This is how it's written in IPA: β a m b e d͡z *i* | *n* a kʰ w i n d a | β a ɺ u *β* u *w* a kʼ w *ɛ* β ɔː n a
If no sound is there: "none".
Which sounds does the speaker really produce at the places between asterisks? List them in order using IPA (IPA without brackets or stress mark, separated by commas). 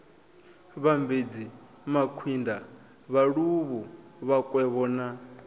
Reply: i, m, β, β, ɛ